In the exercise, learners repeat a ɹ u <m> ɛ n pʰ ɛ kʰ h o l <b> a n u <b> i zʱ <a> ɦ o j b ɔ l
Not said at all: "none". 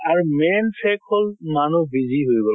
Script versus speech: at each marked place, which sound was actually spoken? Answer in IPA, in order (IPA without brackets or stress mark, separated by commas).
m, m, b, i